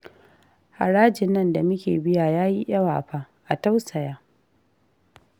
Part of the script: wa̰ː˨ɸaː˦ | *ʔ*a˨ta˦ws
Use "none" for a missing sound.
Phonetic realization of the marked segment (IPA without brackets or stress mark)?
ʔ